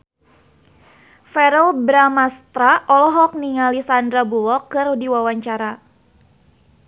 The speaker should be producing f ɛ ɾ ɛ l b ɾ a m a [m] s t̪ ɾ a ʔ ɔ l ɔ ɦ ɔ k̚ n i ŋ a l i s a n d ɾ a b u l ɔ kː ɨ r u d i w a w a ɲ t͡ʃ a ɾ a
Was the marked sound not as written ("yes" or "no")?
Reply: yes